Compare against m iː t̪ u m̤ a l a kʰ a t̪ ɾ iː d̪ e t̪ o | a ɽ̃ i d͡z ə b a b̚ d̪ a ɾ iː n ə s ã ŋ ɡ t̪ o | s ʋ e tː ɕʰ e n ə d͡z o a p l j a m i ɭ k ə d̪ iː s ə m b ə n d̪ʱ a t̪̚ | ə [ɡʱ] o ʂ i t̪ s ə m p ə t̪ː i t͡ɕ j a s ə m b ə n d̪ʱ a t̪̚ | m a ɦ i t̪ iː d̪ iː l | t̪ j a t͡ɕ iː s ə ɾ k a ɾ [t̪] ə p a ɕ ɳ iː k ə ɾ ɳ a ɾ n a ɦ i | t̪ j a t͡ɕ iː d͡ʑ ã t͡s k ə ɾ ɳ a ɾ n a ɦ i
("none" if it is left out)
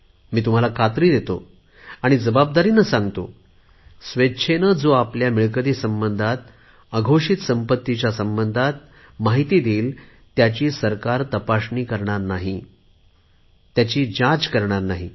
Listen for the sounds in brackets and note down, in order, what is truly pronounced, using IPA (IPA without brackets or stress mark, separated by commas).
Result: ɡʱ, t̪